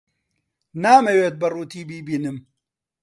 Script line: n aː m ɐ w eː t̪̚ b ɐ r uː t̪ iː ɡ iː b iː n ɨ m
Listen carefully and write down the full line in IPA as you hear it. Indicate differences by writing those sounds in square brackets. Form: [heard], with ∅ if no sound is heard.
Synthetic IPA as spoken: n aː m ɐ w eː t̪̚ b ɐ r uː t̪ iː [b] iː b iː n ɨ m